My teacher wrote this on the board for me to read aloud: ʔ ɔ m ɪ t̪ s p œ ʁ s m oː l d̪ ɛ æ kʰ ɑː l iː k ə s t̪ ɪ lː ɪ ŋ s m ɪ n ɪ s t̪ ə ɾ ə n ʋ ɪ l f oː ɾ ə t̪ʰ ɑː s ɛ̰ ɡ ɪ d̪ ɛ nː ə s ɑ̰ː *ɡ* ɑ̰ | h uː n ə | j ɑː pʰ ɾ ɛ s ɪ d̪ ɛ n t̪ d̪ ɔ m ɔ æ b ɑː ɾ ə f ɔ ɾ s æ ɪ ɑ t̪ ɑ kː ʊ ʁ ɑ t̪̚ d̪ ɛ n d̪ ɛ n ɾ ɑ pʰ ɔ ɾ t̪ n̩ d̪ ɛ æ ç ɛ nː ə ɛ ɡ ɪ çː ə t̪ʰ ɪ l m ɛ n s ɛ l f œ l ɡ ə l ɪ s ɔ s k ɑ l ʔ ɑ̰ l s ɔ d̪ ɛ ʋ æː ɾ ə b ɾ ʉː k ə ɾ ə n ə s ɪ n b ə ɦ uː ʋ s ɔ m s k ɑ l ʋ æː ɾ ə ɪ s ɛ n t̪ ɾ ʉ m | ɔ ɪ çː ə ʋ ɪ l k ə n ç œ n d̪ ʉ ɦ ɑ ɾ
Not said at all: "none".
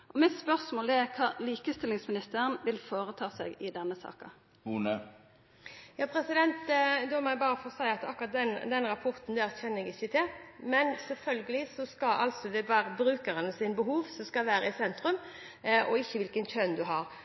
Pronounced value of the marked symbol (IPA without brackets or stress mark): k